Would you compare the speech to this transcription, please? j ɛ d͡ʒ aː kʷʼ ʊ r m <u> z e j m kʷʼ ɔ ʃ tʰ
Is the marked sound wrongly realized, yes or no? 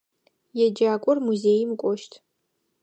no